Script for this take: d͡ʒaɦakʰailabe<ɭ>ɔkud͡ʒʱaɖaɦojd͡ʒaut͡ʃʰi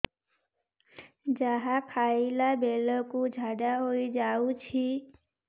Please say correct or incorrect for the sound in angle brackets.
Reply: incorrect